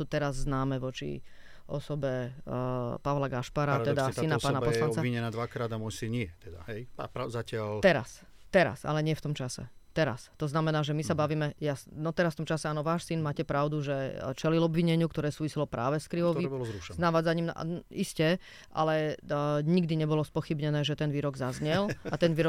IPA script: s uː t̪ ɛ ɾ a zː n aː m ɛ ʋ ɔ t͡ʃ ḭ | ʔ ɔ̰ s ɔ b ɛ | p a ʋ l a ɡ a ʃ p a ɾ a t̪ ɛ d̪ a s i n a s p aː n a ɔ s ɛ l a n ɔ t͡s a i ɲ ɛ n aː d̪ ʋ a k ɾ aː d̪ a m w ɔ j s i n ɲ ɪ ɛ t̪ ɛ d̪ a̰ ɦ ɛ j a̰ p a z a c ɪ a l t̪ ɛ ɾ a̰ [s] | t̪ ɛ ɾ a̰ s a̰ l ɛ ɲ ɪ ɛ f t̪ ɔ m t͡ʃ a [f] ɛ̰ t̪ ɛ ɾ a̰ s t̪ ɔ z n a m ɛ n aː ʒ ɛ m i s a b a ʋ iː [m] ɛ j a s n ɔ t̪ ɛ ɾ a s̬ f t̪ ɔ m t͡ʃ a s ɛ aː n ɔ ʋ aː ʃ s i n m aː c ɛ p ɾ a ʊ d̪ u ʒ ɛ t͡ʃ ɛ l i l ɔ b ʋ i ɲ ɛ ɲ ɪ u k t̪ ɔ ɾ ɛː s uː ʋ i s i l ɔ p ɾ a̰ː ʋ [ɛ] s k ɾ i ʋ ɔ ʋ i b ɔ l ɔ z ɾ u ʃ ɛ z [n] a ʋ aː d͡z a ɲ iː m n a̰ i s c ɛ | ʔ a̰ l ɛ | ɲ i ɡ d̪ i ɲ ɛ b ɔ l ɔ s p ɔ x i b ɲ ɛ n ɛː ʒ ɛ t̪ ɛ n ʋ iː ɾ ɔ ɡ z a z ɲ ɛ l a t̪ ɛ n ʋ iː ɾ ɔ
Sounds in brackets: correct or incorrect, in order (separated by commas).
correct, incorrect, correct, correct, correct